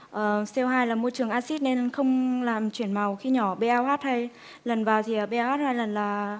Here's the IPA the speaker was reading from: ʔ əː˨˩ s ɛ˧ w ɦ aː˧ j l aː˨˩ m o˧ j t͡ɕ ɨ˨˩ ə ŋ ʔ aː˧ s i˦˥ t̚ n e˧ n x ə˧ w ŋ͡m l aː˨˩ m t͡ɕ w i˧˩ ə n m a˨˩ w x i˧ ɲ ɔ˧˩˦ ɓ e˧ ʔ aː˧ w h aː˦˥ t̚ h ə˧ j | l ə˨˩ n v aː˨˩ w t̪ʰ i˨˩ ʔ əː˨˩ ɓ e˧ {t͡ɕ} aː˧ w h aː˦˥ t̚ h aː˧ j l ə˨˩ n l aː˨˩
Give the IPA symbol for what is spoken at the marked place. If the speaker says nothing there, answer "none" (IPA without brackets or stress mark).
none